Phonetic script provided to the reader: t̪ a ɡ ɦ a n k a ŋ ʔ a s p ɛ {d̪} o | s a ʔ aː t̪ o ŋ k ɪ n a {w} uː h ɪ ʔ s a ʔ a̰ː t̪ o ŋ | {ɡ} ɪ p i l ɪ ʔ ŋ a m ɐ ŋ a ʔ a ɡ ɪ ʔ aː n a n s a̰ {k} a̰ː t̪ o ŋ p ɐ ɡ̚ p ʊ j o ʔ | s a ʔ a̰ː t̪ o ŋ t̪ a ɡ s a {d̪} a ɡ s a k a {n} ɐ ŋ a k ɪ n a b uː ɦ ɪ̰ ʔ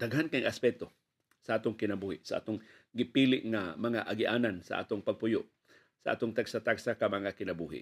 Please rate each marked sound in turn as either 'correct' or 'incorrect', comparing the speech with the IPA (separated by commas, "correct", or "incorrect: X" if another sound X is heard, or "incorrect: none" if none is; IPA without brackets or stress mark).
incorrect: t̪, incorrect: b, correct, incorrect: ʔ, incorrect: t̪, incorrect: m